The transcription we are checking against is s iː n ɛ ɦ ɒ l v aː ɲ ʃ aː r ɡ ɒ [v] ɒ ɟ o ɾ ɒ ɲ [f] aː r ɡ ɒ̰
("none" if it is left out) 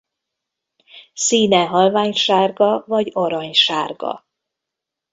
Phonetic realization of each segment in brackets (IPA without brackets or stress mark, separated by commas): v, ʃ